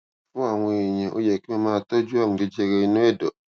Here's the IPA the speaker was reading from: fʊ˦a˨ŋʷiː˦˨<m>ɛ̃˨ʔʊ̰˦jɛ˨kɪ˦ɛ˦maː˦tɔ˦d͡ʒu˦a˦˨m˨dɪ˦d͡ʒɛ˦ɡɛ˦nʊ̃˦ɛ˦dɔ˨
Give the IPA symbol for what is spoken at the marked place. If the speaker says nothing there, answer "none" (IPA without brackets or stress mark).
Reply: ɲ